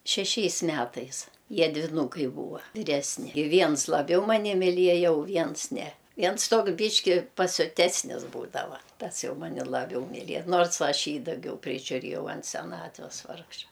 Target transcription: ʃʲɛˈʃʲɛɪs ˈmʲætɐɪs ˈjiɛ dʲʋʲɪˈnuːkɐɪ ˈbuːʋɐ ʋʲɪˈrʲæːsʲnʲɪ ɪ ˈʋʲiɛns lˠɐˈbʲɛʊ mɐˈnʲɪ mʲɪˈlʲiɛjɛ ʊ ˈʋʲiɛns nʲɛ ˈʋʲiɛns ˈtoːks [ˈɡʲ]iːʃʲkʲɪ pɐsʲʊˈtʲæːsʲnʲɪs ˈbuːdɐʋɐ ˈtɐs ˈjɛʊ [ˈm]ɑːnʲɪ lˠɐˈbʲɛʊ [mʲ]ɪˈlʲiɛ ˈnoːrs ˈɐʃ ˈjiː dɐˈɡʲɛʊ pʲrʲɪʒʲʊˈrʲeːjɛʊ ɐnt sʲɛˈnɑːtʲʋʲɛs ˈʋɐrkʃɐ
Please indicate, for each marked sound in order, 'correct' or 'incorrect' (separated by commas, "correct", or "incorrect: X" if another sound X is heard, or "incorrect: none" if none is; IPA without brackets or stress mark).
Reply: incorrect: bʲ, correct, correct